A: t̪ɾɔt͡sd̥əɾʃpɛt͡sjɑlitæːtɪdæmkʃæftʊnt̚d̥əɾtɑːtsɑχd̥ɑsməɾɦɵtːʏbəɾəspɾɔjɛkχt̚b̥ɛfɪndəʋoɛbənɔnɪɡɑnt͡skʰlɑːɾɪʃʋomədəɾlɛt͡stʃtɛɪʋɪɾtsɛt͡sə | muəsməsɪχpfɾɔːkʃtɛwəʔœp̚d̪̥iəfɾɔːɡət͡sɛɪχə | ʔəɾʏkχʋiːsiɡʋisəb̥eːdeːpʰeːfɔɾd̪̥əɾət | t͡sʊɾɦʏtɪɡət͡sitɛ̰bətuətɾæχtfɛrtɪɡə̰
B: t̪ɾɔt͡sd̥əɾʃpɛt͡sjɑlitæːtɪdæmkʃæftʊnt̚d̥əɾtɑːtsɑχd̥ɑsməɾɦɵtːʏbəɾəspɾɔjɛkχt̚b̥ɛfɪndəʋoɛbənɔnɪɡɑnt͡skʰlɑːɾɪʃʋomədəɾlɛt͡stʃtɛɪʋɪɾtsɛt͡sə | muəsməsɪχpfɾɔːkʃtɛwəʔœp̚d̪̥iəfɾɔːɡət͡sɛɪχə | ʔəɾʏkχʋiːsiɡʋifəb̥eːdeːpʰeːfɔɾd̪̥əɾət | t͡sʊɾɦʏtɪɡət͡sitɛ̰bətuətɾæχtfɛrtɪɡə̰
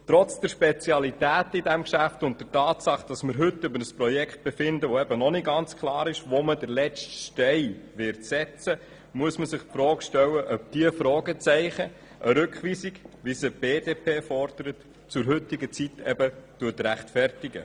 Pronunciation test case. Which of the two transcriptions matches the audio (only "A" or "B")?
A